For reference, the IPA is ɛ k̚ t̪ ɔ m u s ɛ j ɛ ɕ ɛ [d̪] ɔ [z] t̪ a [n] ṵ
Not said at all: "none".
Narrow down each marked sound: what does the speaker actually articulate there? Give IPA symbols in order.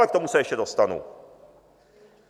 d̪, s, n

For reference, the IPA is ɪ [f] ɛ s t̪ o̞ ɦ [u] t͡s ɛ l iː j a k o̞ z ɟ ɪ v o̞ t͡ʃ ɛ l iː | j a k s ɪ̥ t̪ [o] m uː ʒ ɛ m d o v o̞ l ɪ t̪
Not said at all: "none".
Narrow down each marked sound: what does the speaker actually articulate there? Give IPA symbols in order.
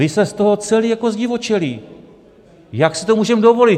s, o, o

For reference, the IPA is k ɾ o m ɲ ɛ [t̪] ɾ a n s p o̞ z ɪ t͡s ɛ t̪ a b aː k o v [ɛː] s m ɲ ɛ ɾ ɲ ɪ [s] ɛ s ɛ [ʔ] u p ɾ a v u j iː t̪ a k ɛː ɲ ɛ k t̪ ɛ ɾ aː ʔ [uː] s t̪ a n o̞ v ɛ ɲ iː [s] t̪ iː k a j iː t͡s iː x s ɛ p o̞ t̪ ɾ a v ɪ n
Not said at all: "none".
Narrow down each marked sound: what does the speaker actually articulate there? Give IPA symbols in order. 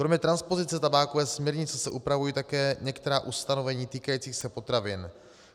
t̪, ɛː, t͡s, ʔ, u, none

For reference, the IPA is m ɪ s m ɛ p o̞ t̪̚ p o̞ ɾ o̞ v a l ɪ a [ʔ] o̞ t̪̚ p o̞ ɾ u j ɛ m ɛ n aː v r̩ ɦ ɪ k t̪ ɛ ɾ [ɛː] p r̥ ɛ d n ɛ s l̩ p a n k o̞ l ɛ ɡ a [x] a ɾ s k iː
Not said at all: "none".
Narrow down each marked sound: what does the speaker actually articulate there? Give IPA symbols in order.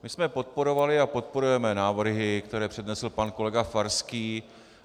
p, ɛː, f

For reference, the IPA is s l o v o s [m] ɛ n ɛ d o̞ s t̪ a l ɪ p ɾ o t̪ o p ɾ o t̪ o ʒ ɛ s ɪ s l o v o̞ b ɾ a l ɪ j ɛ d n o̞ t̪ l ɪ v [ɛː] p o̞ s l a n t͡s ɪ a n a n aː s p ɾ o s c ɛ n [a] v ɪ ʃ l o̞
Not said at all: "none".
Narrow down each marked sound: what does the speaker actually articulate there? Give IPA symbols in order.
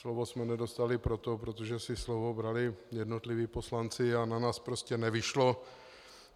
m, iː, ɛ

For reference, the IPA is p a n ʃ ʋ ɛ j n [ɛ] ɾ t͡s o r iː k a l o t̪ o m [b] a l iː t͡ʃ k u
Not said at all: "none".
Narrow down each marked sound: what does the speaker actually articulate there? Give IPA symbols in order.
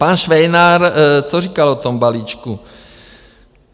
a, b

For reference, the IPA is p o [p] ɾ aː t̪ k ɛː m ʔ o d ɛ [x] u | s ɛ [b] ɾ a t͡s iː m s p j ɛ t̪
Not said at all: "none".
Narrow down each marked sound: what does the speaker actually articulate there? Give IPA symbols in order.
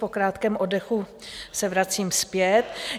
k, x, v

